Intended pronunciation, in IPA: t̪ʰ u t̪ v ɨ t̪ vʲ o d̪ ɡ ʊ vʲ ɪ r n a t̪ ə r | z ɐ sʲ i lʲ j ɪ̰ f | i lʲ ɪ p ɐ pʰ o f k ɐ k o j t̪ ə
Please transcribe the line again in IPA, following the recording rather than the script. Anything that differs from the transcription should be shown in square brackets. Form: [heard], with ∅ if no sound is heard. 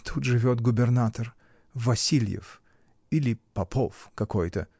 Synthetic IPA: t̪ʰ u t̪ [ʐ] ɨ [∅] vʲ o [t̪] ɡ ʊ [bʲ] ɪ r n a t̪ ə r | [v] ɐ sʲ i lʲ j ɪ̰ f | i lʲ ɪ p ɐ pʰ o f k ɐ k o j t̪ ə